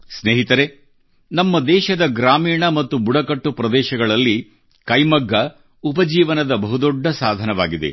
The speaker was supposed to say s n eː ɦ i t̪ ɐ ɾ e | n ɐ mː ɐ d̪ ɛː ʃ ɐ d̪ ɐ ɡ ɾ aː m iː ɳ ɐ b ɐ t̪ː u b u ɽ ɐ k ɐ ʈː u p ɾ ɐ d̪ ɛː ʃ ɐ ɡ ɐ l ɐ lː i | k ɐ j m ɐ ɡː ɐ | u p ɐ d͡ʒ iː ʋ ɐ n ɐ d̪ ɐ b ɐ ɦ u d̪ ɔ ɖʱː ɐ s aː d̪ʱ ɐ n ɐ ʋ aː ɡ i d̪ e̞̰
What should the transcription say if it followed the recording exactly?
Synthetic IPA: s n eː ɦ i t̪ ɐ ɾ e | n ɐ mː ɐ d̪ ɛː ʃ ɐ d̪ ɐ ɡ ɾ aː m iː ɳ ɐ m ɐ t̪ː u b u ɽ ɐ k ɐ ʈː u p ɾ ɐ d̪ ɛː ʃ ɐ ɡ ɐ ɭ ɐ lː i | k ɐ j m ɐ ɡː ɐ | u p ɐ d͡ʒ iː ʋ ɐ n ɐ d̪ ɐ b ɐ ɦ u d̪ ɔ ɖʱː ɐ s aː d̪ʱ ɐ n ɐ ʋ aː ɡ i d̪ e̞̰

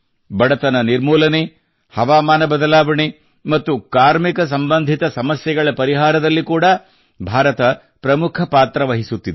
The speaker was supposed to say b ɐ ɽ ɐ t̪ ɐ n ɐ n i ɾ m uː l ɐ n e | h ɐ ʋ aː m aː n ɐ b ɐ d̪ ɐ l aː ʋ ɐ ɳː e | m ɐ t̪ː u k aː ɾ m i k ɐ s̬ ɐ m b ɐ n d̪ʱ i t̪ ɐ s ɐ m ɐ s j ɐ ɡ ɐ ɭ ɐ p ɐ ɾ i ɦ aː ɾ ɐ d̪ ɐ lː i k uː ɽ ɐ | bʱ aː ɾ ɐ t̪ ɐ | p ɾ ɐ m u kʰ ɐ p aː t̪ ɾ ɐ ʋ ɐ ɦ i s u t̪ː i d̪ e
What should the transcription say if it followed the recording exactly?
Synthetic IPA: b ɐ ɽ ɐ t̪ ɐ n ɐ n i ɾ m uː l ɐ n e | h ɐ ʋ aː m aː n ɐ b ɐ d̪ ɐ l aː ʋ ɐ ɳ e | m ɐ t̪ː u k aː ɾ m i k ɐ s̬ ɐ m b ɐ n d̪ʱ i t̪ ɐ s ɐ m ɐ s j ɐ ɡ ɐ ɭ ɐ p ɐ ɾ i ɦ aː ɾ ɐ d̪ ɐ lː i k uː ɽ ɐ | bʱ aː ɾ ɐ t̪ ɐ | p ɾ ɐ m u kʰ ɐ p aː t̪ ɾ ɐ ʋ ɐ ɦ i s u t̪ː i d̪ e

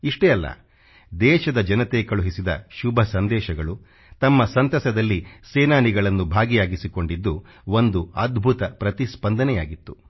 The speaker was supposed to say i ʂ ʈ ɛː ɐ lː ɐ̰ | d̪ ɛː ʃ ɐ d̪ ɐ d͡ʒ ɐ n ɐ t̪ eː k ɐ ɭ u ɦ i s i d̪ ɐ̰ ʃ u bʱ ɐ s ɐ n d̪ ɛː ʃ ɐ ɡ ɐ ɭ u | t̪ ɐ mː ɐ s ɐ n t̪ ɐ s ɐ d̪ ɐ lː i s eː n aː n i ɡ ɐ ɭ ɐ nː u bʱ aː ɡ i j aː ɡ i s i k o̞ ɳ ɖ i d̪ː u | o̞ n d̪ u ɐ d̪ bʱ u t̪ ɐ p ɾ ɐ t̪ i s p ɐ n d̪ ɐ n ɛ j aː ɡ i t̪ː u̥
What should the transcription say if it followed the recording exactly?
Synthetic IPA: i ʂ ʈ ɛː ɐ lː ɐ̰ | d̪ ɛː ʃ ɐ d̪ ɐ d͡ʒ ɐ n ɐ t̪ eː k ɐ ɭ u ɦ i s i d̪ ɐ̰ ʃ u bʱ ɐ s ɐ n d̪ ɛː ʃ ɐ ɡ ɐ ɭ u | t̪ ɐ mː ɐ s ɐ n t̪ ɐ s ɐ d̪ ɐ lː i s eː n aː n i ɡ ɐ ɭ ɐ nː u bʱ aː ɡ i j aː ɡ i s i k o̞ ɳ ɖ i d̪ː u | o̞ n d̪ u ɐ d̪ bʱ u t̪ ɐ p ɾ ɐ t̪ i s p ɐ n d̪ ɐ n ɛ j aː ɡ i t̪ː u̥

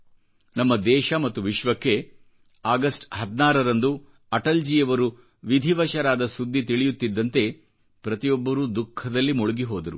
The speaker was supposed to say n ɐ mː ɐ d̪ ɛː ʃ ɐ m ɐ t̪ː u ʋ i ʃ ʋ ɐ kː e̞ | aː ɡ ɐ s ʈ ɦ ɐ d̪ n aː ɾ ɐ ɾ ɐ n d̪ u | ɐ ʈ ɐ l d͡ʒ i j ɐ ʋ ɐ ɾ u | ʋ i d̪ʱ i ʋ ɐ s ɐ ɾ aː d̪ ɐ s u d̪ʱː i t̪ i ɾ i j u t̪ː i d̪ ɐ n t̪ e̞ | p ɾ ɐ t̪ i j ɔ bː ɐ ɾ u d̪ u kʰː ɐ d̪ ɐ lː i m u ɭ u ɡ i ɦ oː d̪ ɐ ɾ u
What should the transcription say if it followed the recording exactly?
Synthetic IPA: n ɐ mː ɐ d̪ ɛː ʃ ɐ m ɐ t̪ː u ʋ i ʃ ʋ ɐ kː e̞ | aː ɡ ɐ s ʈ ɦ ɐ d̪ n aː ɾ ɐ ɾ ɐ n d̪ u | ɐ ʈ ɐ l d͡ʒ i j ɐ ʋ ɐ ɾ u | ʋ i d̪ʱ i ʋ ɐ ʃ ɐ ɾ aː d̪ ɐ s u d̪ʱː i t̪ i ɭ i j u t̪ː i d̪ː ɐ n t̪ e̞ | p ɾ ɐ t̪ i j ɔ bː ɐ ɾ u d̪ u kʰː ɐ d̪ ɐ lː i m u ɭ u ɡ i ɦ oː d̪ ɐ ɾ u

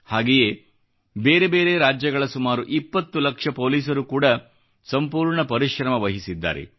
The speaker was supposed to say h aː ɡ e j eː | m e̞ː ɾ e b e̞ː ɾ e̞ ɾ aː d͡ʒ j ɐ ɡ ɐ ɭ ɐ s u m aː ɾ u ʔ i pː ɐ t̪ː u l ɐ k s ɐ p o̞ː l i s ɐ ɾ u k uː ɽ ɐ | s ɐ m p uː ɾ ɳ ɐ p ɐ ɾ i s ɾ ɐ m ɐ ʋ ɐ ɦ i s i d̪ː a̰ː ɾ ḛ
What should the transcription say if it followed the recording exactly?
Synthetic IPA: h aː ɡ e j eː | b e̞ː ɾ e b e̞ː ɾ e̞ ɾ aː d͡ʒ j ɐ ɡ ɐ ɭ ɐ s u m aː ɾ u ʔ i pː ɐ t̪ː u l ɐ k ʂ ɐ p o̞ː l iː s ɐ ɾ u k uː ɽ ɐ | s ɐ m p uː ɾ ɳ ɐ p ɐ ɾ i ʃ ɾ ɐ m ɐ ʋ ɐ ɦ i s i d̪ː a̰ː ɾ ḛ

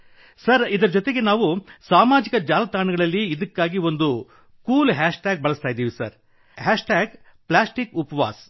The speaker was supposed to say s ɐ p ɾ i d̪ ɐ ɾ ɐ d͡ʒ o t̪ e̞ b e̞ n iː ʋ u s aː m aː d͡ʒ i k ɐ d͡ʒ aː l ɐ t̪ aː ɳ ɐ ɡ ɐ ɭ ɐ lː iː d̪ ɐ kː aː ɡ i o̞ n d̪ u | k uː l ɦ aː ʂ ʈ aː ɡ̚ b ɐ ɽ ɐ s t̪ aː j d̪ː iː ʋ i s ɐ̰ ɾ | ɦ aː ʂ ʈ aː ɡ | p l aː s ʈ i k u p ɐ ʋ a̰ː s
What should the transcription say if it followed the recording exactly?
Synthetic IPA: s ɐ ɾ i d̪ ɐ ɾ ɐ d͡ʒ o t̪ e̞ ɡ e̞ n aː ʋ u s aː m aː d͡ʒ i k ɐ d͡ʒ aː l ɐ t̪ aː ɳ ɐ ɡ ɐ ɭ ɐ lː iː d̪ ɐ kː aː ɡ i o̞ n d̪ u | k uː l ɦ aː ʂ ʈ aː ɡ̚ b ɐ ɭ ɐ s t̪ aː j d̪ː iː ʋ i s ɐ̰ ɾ | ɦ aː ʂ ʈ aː ɡ | p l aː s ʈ i k u p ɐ ʋ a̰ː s

